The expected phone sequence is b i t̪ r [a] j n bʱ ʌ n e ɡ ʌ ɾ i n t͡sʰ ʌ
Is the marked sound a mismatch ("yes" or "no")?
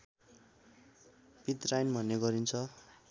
no